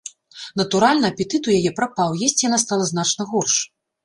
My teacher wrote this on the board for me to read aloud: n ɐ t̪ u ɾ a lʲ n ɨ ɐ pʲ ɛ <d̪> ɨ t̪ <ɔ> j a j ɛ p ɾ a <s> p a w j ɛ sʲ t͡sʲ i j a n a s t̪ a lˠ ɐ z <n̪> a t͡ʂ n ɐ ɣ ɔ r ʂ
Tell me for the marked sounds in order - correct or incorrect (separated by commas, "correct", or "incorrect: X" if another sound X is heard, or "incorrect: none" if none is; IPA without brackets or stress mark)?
incorrect: t̪, incorrect: u, incorrect: none, correct